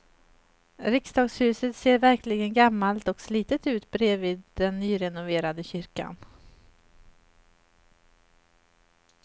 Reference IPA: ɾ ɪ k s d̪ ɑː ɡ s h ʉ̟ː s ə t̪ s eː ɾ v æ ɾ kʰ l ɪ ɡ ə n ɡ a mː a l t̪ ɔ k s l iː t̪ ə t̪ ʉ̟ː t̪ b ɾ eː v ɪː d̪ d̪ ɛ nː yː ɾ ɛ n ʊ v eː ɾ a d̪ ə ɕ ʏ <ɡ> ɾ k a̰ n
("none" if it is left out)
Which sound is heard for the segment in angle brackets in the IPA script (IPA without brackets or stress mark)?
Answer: none